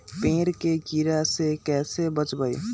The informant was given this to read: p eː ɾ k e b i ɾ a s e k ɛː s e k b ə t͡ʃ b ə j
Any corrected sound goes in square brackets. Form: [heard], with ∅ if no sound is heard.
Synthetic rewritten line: p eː ɾ k e [ɡ] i ɾ a s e k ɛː s e [∅] b ə t͡ʃ b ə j